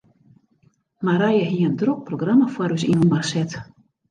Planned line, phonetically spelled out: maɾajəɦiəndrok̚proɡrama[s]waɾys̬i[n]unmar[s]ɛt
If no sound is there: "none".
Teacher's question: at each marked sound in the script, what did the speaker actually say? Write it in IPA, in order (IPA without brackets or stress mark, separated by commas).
f, n, s